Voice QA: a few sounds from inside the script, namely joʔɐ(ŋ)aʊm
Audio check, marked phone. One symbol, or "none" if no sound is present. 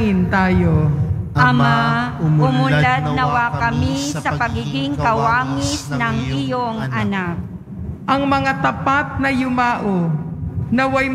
m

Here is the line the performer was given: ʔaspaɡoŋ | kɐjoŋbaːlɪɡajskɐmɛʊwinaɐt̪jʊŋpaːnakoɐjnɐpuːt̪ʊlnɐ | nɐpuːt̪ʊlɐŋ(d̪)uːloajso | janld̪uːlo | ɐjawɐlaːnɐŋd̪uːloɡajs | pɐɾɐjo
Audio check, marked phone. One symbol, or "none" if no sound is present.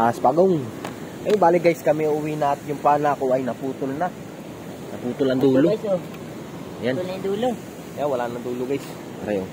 d̪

